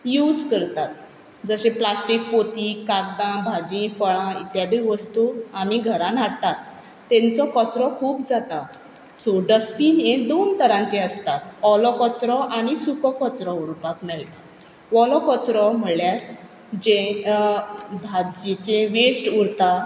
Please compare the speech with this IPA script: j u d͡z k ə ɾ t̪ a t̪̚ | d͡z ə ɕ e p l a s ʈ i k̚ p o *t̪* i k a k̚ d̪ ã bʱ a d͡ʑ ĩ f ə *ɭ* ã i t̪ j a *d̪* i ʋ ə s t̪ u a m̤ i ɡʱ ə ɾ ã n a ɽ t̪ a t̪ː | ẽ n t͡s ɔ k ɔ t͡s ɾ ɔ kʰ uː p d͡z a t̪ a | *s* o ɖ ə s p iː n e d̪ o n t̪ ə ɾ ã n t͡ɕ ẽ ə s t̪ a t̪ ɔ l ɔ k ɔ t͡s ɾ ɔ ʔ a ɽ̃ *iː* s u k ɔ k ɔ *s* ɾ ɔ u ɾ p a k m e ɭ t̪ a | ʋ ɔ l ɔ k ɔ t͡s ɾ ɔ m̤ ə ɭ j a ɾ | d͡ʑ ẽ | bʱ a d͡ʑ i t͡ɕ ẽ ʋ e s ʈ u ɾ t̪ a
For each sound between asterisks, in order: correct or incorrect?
correct, correct, correct, correct, incorrect: i, incorrect: t͡s

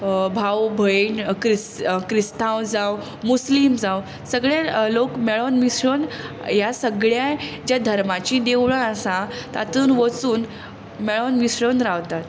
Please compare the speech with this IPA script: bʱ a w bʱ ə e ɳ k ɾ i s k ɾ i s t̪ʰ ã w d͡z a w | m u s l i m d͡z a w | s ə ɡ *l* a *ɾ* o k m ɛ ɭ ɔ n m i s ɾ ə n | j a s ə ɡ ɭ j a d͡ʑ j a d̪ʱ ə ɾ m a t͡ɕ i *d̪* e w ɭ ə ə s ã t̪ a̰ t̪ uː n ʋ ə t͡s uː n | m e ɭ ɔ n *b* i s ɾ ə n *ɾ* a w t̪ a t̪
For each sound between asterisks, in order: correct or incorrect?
incorrect: ɭ, incorrect: l, correct, incorrect: m, correct

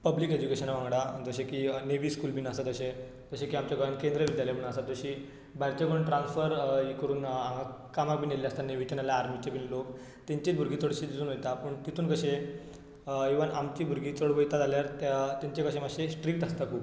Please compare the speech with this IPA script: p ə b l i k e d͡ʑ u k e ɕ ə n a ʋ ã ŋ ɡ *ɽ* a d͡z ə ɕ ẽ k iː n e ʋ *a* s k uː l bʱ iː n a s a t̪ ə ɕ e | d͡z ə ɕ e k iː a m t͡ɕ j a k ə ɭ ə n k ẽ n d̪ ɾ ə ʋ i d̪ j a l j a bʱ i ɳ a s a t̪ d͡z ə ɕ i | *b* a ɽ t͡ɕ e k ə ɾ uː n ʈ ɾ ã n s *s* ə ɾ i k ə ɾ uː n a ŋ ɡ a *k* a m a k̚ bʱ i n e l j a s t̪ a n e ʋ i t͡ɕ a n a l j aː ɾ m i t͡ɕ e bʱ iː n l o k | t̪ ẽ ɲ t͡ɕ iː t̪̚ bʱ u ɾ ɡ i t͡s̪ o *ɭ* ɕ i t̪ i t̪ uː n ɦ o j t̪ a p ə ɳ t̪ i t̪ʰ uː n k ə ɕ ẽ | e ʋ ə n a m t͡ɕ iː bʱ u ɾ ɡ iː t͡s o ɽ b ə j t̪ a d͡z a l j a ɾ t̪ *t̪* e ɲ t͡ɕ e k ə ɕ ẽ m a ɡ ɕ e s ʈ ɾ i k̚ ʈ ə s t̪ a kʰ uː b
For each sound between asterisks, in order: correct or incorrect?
correct, incorrect: i, correct, incorrect: f, correct, incorrect: ɽ, correct

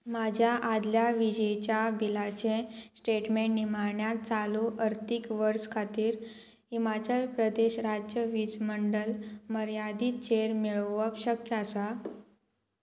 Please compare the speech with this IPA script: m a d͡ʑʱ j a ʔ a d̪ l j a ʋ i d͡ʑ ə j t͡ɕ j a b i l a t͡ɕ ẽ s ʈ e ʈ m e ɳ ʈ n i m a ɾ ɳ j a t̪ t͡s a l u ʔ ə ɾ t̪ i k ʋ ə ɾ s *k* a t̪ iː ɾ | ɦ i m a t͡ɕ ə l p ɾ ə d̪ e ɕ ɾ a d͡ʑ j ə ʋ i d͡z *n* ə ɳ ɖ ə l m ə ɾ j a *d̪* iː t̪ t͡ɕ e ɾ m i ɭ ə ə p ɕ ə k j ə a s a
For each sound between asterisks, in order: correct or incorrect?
incorrect: kʰ, incorrect: m, correct

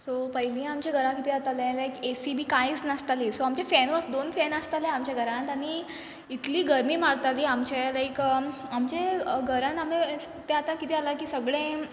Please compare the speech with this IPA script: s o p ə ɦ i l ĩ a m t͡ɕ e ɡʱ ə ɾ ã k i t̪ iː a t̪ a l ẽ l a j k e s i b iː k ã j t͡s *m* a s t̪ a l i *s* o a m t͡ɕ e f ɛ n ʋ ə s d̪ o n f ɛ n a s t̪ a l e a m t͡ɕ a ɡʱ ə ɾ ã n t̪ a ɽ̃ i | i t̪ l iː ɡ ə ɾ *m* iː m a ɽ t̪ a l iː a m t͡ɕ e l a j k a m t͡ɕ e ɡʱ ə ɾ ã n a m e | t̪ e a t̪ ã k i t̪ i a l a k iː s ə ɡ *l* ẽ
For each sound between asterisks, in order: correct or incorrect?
incorrect: n, correct, correct, incorrect: ɭ

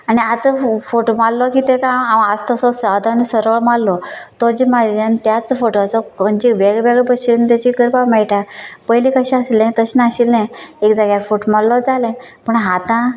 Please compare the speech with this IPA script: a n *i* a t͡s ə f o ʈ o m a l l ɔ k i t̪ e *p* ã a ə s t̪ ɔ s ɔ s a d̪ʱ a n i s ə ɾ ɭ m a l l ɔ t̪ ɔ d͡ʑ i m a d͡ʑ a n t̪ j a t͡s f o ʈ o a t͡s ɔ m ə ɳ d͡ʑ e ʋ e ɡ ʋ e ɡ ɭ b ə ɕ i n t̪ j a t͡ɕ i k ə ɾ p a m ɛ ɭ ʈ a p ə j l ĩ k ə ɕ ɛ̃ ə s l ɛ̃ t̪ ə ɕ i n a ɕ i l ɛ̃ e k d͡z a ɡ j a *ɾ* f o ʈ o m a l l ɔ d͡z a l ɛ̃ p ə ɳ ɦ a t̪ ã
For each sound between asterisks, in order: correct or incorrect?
correct, incorrect: k, correct

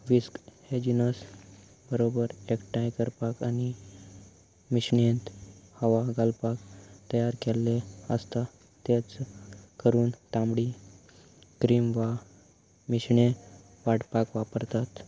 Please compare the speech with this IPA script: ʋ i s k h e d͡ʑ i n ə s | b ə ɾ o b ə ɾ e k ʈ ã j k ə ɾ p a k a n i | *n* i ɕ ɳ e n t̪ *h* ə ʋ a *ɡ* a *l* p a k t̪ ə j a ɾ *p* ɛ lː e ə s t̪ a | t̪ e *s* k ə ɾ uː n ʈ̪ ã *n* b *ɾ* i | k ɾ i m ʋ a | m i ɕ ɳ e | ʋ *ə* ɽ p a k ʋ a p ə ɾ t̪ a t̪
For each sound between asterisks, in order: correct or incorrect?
incorrect: m, correct, correct, correct, incorrect: k, incorrect: t͡s, incorrect: m, incorrect: ɽ, incorrect: a

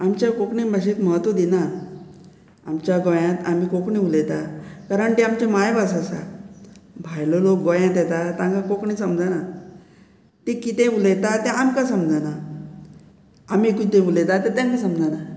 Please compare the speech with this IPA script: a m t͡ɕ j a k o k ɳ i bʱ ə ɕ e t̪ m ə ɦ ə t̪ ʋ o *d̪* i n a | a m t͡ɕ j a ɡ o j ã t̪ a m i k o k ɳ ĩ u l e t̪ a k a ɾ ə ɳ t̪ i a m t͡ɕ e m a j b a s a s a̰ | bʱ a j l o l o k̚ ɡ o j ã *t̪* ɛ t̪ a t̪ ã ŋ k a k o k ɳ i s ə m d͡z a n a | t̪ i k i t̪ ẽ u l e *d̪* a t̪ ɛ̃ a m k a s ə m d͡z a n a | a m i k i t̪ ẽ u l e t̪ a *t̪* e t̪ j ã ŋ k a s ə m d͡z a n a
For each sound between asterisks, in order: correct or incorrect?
correct, correct, incorrect: t̪, correct

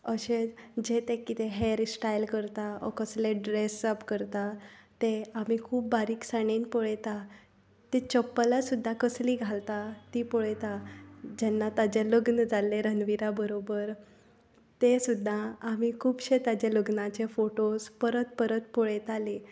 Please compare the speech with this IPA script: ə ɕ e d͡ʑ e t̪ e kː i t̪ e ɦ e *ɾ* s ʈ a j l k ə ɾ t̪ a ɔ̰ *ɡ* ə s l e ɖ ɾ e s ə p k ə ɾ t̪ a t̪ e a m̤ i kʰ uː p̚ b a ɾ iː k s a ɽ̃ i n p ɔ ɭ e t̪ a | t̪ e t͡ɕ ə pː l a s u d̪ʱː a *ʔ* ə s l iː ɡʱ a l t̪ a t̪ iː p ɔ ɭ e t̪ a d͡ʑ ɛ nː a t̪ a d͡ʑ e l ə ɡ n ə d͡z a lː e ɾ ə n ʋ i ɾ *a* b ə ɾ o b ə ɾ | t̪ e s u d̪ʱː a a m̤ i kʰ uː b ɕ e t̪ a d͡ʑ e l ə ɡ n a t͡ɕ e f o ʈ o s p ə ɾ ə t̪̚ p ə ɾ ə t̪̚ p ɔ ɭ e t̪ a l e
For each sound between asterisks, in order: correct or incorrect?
correct, incorrect: k, incorrect: k, correct

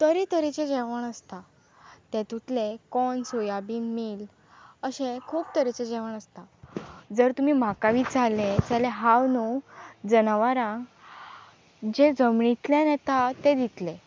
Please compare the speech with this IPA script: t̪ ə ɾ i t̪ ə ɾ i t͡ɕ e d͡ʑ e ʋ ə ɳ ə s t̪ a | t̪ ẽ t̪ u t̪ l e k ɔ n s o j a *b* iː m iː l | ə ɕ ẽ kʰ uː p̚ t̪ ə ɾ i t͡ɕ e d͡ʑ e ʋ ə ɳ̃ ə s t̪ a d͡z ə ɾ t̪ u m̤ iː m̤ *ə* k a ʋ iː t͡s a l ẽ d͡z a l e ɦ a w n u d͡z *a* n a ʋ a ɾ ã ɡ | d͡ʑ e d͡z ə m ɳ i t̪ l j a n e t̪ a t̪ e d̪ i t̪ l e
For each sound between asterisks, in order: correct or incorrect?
correct, incorrect: a, incorrect: ə

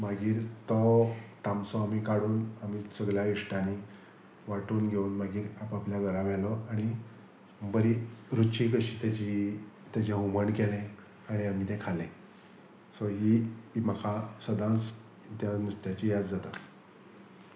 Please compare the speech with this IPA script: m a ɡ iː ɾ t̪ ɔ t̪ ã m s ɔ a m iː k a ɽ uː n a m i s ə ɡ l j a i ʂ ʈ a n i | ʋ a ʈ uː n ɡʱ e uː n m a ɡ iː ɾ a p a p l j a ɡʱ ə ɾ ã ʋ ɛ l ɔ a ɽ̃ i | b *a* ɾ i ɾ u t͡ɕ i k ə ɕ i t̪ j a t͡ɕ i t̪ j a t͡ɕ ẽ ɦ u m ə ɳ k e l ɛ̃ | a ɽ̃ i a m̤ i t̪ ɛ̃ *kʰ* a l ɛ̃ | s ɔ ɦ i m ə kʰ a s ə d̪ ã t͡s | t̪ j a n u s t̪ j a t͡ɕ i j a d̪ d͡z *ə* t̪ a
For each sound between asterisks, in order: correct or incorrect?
incorrect: ə, correct, incorrect: a

